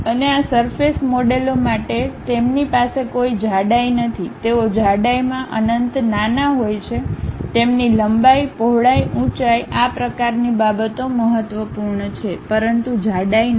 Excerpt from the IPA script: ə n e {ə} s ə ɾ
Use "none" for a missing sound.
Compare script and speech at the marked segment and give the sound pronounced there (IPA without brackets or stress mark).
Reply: a